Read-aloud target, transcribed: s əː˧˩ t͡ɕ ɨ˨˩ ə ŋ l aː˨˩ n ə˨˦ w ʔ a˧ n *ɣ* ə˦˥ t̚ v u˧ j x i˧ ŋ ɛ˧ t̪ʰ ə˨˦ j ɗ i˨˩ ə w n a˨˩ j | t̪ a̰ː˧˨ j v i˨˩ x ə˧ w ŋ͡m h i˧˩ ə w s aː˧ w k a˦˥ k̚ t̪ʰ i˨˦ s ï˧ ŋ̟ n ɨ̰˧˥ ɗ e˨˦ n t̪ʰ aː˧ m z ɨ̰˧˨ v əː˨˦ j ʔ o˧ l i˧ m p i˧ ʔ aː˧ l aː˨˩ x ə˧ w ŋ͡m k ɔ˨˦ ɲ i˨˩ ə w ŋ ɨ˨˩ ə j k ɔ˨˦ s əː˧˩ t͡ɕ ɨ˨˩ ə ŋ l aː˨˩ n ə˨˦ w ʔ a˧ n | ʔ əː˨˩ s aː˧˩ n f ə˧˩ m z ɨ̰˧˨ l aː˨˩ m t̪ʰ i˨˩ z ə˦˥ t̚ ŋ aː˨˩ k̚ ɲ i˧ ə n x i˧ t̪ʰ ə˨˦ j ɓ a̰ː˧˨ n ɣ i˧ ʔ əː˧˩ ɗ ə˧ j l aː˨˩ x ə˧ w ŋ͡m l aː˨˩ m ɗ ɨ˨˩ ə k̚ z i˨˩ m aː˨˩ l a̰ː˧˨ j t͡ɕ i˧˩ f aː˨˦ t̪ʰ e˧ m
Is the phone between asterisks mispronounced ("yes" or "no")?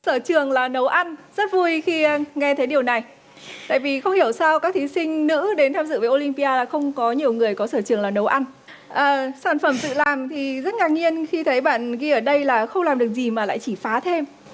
yes